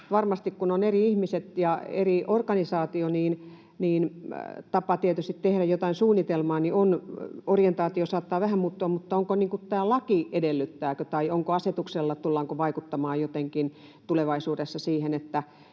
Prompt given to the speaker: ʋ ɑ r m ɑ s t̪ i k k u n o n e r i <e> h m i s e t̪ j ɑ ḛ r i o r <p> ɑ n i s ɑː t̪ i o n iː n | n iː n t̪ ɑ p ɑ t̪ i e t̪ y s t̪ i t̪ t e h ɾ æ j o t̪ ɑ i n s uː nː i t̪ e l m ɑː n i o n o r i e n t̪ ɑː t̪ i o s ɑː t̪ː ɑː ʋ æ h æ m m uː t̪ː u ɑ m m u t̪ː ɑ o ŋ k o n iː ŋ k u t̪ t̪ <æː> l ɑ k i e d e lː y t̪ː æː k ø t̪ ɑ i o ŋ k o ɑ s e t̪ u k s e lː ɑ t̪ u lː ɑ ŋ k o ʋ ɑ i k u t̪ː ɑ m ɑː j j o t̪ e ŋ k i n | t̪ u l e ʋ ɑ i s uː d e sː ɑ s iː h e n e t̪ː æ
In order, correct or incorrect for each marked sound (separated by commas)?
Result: incorrect, incorrect, correct